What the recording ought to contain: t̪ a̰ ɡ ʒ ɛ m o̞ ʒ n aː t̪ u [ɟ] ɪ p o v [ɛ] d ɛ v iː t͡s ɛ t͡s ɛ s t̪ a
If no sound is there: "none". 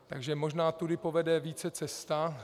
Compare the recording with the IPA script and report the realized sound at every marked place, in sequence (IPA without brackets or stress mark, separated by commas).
d, ɛ